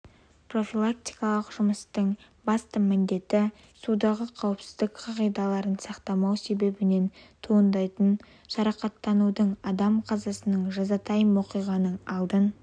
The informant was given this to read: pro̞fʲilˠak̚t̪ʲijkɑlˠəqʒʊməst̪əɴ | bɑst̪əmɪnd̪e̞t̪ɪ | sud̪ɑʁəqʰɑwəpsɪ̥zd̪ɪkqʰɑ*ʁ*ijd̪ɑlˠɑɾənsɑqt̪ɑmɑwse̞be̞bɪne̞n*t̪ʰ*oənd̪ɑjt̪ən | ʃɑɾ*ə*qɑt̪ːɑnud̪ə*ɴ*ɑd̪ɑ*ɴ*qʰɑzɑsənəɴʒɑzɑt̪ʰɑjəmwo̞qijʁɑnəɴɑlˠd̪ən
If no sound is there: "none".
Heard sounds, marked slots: ʁ, t̪ʰ, ɑ, ɴ, m

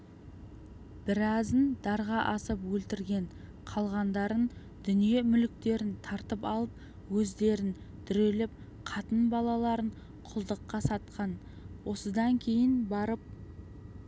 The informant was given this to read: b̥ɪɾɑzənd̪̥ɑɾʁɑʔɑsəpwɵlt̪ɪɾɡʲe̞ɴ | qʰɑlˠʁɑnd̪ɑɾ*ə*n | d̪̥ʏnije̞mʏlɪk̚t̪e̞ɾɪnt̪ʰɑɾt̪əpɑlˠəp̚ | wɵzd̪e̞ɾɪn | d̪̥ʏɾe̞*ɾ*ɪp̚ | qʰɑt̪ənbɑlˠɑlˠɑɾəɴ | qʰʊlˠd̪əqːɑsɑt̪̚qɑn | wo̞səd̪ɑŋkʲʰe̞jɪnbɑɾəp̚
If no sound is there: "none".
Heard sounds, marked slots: ə, l

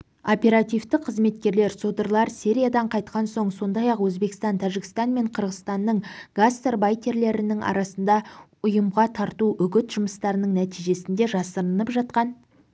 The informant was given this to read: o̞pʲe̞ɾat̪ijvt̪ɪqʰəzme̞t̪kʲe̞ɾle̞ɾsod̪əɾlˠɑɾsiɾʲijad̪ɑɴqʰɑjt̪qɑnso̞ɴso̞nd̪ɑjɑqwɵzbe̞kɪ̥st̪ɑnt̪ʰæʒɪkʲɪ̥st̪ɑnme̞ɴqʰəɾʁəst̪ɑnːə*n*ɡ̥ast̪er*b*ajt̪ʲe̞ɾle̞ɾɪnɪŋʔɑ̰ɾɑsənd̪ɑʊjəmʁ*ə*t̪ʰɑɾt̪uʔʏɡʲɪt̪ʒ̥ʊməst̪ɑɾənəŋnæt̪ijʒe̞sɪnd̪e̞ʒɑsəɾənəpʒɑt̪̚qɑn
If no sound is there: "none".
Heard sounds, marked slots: ɴ, b, ɑ

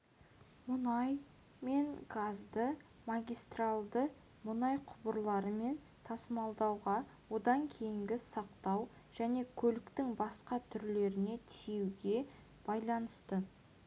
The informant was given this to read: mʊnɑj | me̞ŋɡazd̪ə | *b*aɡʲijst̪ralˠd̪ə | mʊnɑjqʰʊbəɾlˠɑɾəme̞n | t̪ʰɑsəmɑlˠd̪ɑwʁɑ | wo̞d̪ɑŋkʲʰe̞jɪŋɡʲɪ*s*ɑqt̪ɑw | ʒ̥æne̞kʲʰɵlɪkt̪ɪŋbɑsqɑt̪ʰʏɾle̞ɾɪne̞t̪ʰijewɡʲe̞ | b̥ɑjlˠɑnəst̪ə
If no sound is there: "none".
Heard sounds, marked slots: m, s

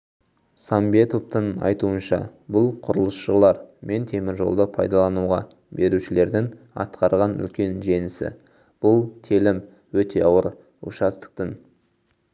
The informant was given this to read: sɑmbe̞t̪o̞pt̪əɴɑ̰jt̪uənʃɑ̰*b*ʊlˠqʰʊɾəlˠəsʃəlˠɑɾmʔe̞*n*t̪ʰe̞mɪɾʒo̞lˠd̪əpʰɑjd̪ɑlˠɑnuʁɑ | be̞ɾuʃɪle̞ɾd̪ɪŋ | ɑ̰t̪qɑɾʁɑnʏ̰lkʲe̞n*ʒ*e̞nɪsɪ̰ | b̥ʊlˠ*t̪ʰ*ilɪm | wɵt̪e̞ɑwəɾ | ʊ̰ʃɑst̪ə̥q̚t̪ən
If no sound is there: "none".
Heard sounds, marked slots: b, n, ʒ, t̪ʰ

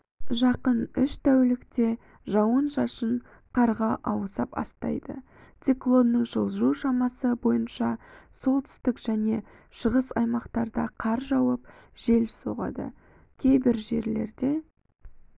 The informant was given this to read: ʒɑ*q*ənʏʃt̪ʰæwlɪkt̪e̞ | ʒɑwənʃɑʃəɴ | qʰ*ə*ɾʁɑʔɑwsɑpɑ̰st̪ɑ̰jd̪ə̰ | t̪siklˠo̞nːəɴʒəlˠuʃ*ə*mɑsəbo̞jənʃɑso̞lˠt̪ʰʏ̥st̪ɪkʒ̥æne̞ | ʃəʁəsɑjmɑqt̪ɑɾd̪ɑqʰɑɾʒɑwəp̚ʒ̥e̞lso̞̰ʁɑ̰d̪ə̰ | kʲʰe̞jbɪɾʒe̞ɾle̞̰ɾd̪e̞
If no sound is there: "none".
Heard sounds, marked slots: q, ɑ, ɑ

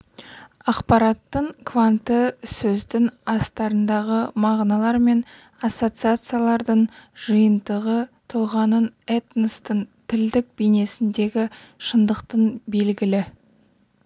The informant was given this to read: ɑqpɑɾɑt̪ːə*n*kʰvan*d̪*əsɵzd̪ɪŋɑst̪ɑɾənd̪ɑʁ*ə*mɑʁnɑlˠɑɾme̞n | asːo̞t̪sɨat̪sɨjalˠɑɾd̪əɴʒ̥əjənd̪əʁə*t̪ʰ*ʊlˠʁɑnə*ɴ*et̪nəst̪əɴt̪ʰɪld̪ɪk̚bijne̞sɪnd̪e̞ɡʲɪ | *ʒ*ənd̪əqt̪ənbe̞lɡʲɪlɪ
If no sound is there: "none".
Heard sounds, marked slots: ɴ, t̪, ə, t̪ʰ, n, ʃ

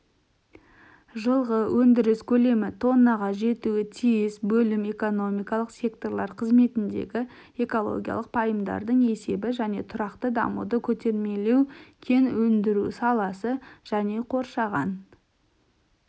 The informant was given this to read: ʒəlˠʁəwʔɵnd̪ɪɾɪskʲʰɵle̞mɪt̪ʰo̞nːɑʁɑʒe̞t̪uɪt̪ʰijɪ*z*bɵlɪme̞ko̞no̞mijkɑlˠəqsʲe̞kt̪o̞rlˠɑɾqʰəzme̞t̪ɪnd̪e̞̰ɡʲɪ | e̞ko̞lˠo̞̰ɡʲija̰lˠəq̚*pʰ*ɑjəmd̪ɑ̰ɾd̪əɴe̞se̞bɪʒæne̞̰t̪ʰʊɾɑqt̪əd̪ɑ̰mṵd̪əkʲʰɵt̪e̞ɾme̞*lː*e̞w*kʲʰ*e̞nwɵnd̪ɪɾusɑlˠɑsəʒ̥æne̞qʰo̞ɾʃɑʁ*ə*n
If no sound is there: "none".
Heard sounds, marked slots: s, pʰ, l, kʲʰ, ɑ

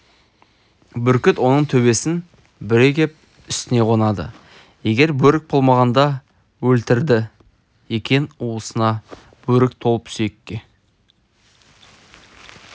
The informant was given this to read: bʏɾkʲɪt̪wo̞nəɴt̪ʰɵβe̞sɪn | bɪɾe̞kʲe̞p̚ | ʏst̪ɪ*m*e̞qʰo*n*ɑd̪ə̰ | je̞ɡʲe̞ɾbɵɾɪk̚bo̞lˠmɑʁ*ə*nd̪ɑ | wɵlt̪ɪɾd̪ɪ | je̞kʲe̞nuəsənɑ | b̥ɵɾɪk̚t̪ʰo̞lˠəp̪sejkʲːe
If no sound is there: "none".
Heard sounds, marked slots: n, n, ɑ

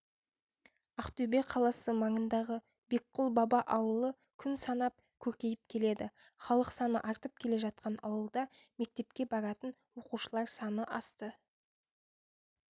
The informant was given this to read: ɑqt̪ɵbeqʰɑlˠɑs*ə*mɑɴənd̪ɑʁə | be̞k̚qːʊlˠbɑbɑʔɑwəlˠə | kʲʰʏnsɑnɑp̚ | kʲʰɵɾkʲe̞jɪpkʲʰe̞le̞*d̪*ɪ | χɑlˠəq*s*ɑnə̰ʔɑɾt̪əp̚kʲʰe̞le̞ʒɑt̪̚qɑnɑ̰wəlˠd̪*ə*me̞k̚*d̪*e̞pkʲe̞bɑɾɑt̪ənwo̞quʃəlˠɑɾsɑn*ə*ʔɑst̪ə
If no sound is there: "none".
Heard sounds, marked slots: ə, d̪, s, ɑ, t̪, ə

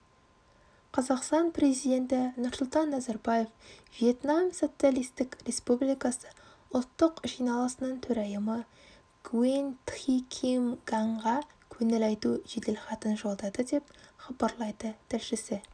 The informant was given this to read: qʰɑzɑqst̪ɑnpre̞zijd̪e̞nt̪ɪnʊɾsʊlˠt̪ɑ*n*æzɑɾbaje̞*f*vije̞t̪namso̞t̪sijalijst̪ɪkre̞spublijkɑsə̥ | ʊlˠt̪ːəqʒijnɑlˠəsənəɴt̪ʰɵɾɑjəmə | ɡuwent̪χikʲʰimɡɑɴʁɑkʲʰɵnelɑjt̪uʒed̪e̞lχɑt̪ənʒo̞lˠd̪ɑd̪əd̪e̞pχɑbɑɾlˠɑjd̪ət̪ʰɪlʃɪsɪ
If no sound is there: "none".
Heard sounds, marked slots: nː, f

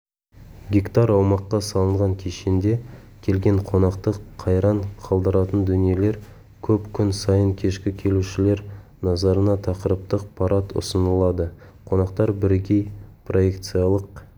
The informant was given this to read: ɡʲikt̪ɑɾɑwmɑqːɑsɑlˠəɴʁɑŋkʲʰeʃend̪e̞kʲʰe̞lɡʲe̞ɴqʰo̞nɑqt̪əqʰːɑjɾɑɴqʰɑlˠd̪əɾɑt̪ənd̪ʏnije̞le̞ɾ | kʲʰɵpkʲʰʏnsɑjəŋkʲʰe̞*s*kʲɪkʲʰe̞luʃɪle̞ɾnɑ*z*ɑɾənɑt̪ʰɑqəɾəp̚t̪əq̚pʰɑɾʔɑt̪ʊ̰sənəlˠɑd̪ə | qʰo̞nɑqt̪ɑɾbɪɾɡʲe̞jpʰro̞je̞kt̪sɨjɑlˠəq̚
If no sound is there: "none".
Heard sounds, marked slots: ʃ, z

